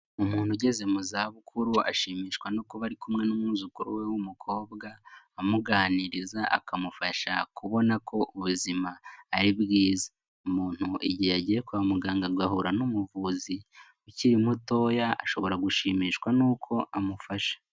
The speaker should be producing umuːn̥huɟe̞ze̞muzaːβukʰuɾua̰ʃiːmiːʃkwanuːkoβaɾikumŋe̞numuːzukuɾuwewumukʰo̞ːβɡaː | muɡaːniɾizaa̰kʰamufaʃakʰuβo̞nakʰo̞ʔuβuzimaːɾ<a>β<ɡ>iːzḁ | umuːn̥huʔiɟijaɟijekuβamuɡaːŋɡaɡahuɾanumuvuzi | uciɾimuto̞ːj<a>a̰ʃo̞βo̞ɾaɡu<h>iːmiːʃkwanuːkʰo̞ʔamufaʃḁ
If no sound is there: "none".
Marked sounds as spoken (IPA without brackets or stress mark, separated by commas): i, ɡ, a, ʃ